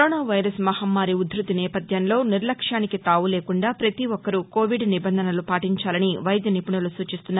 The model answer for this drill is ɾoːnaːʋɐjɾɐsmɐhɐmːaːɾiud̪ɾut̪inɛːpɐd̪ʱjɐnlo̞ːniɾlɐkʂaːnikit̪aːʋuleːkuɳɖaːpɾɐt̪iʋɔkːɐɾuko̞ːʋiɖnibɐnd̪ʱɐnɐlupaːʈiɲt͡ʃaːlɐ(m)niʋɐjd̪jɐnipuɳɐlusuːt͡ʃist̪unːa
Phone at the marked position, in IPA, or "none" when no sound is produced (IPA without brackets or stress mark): none